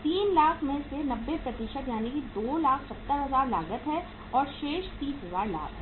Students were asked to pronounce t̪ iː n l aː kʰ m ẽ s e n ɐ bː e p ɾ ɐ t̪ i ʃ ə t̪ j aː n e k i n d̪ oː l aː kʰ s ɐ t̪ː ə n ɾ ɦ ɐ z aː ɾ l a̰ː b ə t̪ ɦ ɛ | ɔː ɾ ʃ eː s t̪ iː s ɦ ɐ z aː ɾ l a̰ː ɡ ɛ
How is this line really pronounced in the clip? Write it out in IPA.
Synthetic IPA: t̪ iː n l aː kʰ m ẽ s e n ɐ bː e p ɾ ɐ t̪ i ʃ ə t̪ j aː n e k i d̪ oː l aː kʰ s ɐ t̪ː ə ɾ ɦ ɐ z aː ɾ l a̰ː ɡ ə t̪ ɦ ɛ | ɔː ɾ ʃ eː ʃ t̪ iː s ɦ ɐ z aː ɾ l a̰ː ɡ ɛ